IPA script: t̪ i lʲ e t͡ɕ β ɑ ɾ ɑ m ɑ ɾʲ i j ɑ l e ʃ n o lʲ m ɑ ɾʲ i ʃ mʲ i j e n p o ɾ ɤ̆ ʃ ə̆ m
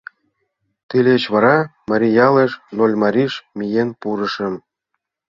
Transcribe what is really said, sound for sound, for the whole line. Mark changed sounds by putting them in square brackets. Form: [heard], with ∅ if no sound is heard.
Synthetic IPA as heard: t̪ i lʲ e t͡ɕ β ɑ ɾ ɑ m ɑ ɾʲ i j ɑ l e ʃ n o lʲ m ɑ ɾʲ i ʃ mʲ i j e n p [u] ɾ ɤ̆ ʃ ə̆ m